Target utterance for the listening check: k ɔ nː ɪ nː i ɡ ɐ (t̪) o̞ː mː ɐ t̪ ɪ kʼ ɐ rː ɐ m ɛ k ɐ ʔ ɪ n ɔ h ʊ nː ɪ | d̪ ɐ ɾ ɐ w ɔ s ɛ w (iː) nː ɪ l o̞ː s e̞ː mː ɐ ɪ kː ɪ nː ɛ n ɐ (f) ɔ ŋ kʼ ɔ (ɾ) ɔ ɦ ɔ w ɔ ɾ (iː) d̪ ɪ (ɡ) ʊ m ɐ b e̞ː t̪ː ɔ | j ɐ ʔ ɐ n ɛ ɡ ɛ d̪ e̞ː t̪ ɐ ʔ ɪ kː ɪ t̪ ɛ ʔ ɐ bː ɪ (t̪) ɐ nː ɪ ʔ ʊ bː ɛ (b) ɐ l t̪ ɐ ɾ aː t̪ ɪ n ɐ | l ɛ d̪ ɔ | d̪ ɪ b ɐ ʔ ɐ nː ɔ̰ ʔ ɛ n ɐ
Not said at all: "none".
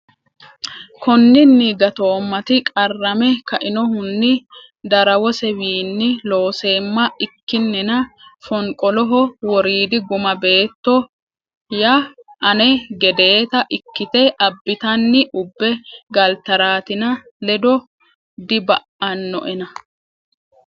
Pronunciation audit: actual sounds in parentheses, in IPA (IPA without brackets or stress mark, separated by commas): t̪, iː, f, l, iː, ɡ, t̪, ɡ